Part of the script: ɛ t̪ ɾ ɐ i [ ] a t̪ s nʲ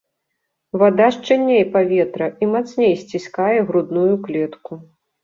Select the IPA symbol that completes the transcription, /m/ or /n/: m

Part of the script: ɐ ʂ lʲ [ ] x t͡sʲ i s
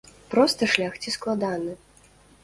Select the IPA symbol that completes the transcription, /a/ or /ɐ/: a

